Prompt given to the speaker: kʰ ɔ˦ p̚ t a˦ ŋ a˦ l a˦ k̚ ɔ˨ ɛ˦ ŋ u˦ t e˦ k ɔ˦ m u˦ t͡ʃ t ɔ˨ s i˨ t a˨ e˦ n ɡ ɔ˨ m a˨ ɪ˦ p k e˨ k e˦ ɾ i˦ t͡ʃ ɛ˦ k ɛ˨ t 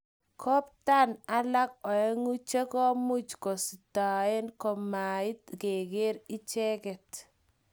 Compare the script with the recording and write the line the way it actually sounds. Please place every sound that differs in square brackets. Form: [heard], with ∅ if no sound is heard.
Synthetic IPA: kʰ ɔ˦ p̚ t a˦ [n] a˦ l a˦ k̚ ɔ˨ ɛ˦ ŋ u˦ [t͡ʃ] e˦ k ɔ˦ m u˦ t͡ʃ [k] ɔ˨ s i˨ t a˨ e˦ n [k] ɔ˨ m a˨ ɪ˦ [t] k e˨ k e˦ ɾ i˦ t͡ʃ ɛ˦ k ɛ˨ t